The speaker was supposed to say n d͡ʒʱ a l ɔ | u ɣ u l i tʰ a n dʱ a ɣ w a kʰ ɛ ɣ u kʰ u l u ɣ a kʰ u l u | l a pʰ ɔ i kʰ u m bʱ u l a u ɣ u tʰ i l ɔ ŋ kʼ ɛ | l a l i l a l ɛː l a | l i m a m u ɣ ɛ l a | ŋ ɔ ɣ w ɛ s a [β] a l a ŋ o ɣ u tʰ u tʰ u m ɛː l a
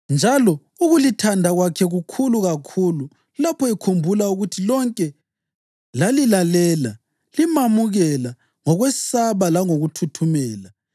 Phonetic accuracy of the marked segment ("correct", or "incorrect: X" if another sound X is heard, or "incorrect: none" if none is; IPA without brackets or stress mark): correct